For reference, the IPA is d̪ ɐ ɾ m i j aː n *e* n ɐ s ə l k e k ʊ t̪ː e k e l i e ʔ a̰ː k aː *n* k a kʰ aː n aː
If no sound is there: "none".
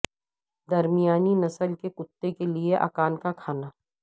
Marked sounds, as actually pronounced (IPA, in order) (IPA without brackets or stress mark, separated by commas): i, n